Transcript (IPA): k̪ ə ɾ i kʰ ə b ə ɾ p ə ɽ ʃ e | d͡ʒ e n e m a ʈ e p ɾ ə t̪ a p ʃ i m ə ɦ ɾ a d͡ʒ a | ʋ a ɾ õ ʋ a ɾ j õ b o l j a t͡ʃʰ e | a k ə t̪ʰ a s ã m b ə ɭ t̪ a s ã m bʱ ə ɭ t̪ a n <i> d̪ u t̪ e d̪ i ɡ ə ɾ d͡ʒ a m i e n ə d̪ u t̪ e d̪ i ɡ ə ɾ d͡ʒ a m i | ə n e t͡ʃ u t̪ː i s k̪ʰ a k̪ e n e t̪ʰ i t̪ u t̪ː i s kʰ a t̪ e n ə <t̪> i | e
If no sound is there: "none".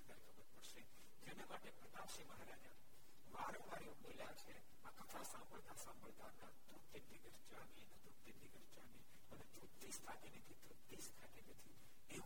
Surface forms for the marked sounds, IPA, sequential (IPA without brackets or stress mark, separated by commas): a, t̪ʰ